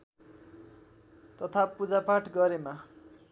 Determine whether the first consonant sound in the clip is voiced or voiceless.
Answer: voiceless